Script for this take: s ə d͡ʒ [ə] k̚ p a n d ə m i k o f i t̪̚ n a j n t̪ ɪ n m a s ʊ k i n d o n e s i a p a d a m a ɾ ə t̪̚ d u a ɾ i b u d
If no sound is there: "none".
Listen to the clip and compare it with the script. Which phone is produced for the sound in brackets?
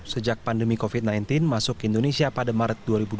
a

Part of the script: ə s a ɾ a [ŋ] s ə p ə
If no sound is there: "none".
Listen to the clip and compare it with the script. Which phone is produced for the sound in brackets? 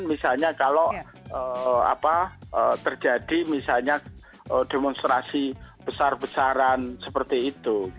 n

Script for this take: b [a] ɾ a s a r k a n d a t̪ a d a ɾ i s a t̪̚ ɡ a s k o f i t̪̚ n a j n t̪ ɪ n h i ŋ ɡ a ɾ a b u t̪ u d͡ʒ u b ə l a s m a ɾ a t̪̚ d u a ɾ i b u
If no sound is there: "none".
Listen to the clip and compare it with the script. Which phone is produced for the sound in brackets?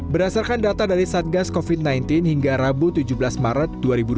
ə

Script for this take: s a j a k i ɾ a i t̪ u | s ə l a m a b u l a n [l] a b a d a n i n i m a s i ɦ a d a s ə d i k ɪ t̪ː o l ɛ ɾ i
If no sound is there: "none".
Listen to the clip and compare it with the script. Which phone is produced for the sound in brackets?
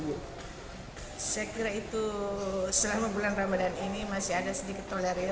r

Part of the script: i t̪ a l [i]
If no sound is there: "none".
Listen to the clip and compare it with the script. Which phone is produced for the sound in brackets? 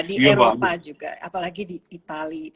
i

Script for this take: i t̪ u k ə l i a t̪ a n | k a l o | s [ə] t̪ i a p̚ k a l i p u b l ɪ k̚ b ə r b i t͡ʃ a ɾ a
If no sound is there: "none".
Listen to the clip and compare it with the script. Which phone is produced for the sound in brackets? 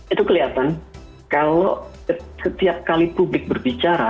ə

